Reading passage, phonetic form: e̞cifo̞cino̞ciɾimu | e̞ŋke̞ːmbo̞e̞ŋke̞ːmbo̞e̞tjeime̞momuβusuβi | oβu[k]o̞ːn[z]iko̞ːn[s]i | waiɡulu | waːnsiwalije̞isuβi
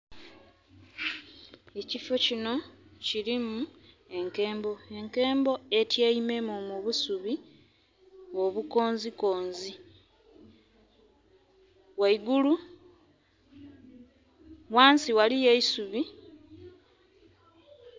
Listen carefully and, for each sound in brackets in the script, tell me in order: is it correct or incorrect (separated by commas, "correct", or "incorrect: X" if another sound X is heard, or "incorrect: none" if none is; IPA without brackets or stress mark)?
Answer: correct, correct, incorrect: z